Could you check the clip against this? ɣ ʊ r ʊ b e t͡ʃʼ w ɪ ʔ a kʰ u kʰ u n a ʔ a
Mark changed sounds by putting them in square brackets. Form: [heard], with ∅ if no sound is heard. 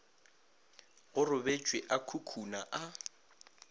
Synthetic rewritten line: ɣ ʊ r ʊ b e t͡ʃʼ w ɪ ʔ a kʰ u kʰ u n a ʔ a